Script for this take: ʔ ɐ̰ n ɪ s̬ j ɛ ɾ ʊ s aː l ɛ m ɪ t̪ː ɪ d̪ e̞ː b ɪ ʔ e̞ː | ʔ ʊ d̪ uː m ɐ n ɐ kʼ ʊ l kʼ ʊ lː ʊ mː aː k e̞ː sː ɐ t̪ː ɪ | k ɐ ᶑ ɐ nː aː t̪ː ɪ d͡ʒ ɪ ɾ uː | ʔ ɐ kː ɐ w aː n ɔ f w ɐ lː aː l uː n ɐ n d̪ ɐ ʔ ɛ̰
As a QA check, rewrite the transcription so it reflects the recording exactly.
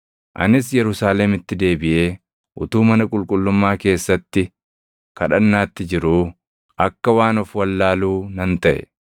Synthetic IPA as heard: ʔ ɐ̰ n ɪ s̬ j ɛ ɾ ʊ s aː l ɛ m ɪ t̪ː ɪ d̪ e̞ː b ɪ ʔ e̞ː | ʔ ʊ t̪ uː m ɐ n ɐ kʼ ʊ l kʼ ʊ lː ʊ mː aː k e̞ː sː ɐ t̪ː ɪ | k ɐ ᶑ ɐ nː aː t̪ː ɪ d͡ʒ ɪ ɾ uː | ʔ ɐ kː ɐ w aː n ɔ f w ɐ lː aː l uː n ɐ n t̪ ɐ ʔ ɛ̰